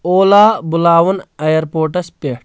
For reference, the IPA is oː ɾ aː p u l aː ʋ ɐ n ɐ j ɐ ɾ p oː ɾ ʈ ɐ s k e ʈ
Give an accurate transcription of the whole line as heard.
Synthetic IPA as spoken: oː l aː b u l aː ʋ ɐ n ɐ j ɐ ɾ p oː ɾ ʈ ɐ s p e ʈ